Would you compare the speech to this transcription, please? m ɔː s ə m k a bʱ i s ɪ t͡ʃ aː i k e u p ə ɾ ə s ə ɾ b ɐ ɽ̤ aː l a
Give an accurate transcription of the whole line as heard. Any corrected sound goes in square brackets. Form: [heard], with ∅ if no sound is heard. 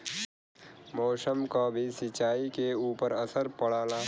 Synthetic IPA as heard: m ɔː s ə m k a bʱ i s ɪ t͡ʃ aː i k e [uː] p ə ɾ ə s ə ɾ [p] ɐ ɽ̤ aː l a